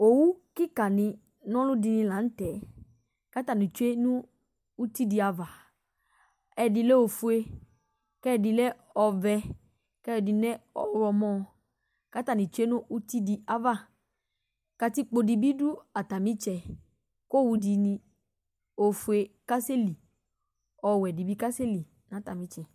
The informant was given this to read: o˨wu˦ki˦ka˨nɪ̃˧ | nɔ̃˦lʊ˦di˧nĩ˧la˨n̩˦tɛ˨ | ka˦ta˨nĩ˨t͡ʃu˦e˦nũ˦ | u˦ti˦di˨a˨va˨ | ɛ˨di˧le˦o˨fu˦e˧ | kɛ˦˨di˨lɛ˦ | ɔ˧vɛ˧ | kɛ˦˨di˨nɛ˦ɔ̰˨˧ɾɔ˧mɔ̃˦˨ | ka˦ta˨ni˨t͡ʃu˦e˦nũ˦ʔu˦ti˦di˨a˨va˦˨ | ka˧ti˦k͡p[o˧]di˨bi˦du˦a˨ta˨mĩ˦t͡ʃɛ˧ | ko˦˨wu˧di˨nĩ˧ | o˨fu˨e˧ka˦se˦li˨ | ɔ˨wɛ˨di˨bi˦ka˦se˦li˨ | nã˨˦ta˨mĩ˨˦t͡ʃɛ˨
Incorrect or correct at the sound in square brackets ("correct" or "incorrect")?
correct